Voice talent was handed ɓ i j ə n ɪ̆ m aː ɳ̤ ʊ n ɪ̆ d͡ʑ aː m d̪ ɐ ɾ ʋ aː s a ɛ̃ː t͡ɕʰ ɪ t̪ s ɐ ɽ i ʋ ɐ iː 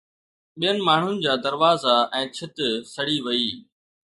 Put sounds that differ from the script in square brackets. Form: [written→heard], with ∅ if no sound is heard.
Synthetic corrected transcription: ɓ i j ə n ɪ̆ m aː ɳ̤ ʊ n ɪ̆ d͡ʑ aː [m→∅] d̪ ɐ ɾ ʋ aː [s→z] a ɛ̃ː t͡ɕʰ ɪ t̪ s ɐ ɽ i ʋ ɐ iː